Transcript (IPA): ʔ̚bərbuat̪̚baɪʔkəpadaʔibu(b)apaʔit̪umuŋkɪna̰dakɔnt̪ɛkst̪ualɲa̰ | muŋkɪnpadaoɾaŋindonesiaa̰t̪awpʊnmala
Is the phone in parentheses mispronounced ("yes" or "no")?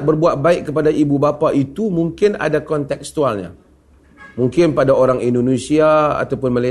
no